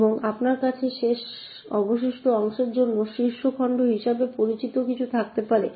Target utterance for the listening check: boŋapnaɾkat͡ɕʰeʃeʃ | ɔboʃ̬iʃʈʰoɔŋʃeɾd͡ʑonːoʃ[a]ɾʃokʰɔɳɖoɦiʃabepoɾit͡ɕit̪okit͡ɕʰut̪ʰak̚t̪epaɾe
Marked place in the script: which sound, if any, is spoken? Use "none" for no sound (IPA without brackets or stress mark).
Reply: i